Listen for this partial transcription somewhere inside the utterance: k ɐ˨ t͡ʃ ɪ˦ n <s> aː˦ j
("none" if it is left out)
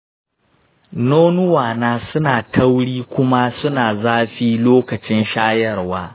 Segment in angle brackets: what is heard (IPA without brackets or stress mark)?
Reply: ʃ